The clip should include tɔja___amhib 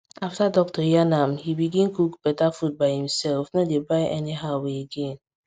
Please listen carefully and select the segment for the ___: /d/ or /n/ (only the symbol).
n